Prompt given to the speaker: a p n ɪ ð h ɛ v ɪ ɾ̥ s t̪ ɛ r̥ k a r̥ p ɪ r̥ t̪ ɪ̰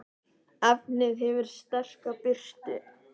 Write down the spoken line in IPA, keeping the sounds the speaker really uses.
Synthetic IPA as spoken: a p n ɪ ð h ɛ v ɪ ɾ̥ s t̪ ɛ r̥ k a p ɪ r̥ t̪ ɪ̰